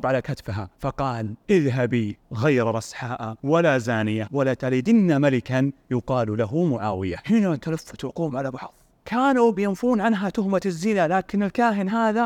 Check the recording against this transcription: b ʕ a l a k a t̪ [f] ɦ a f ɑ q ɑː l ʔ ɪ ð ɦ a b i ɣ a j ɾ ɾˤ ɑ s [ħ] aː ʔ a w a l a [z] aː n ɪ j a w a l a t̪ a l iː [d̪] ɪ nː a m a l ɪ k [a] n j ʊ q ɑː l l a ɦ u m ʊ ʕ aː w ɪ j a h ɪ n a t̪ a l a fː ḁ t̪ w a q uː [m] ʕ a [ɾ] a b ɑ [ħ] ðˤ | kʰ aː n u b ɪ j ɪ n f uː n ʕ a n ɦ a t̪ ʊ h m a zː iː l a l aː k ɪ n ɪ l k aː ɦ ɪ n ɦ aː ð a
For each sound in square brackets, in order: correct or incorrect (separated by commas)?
correct, correct, correct, correct, correct, correct, incorrect, correct